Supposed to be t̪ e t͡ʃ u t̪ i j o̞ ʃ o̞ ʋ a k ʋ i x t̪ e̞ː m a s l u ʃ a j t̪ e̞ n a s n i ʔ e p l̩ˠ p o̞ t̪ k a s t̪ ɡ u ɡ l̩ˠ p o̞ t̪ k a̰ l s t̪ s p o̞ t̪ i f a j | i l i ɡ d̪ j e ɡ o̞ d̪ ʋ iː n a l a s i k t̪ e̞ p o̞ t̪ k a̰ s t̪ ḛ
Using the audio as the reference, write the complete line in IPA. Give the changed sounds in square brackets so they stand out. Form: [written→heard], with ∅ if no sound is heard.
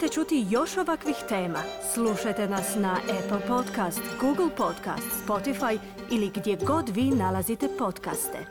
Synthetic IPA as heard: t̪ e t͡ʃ u t̪ i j o̞ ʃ o̞ ʋ a k ʋ i x t̪ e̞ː m a s l u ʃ a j t̪ e̞ n a s n [i→a] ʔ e p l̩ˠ p o̞ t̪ k a s t̪ ɡ u ɡ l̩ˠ p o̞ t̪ k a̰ [l→∅] s t̪ s p o̞ t̪ i f a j | i l i ɡ d̪ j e ɡ o̞ d̪ ʋ iː n a l a [s→z] i [k→∅] t̪ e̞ p o̞ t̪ k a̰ s t̪ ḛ